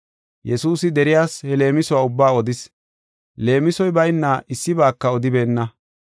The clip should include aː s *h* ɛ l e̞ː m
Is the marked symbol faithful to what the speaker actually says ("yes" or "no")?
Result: yes